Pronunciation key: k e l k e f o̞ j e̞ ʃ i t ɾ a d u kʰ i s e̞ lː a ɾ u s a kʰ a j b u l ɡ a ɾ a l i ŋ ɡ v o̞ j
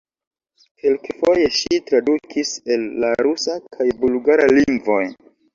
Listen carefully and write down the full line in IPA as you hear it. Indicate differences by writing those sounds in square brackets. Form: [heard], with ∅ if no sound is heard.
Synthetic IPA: k e l k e f o̞ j e̞ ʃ i t ɾ a d u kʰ i s e̞ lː a ɾ u s a kʰ a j b u l ɡ a ɾ a l i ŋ ɡ v o̞ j